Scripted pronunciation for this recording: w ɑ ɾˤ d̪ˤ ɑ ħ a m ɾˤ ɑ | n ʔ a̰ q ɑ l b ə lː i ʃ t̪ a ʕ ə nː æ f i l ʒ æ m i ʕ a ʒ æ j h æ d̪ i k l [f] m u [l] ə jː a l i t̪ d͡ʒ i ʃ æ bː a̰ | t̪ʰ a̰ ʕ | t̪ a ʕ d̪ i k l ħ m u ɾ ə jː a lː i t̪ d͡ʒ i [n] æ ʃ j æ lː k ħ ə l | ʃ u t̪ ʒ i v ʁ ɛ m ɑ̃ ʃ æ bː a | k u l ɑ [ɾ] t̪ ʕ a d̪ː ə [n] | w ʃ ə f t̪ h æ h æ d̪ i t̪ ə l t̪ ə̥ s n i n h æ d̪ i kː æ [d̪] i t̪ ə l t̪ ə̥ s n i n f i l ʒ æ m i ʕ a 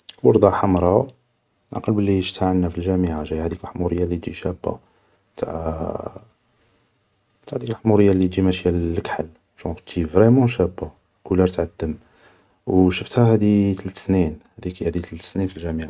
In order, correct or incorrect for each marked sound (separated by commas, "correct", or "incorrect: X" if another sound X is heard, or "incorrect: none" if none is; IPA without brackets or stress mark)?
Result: incorrect: ħ, incorrect: ɾ, incorrect: m, correct, incorrect: m, correct